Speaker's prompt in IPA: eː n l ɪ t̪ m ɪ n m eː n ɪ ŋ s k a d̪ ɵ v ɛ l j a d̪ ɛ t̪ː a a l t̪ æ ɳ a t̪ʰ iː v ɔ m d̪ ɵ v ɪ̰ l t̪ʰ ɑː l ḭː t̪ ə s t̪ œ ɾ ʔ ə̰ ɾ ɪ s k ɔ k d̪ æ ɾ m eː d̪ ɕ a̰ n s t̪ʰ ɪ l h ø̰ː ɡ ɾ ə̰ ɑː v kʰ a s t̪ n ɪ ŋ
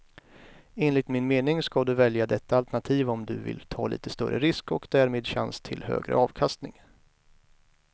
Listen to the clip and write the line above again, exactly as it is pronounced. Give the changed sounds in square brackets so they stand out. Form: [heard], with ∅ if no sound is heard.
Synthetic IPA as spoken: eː n l ɪ t̪ m ɪ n m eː n ɪ ŋ s k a d̪ ɵ v ɛ l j a d̪ ɛ t̪ː a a l t̪ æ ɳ a t̪ʰ iː v ɔ m d̪ ɵ v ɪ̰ l t̪ʰ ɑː l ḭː t̪ ə s t̪ œ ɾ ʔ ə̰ ɾ ɪ s k ɔ k d̪ æ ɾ m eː d̪ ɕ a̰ n s t̪ʰ ɪ l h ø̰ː ɡ ɾ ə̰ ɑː v kʰ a s t̪ n ɪ ŋ